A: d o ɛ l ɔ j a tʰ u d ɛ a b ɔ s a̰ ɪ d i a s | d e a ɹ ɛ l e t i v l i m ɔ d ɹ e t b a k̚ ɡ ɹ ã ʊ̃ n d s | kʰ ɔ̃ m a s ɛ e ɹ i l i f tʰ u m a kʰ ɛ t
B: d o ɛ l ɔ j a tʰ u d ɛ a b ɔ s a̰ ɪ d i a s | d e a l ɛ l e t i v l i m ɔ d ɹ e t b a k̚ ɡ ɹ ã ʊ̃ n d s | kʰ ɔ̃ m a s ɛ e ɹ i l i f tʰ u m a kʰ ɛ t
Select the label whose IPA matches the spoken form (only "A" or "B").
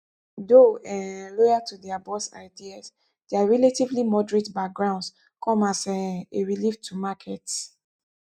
A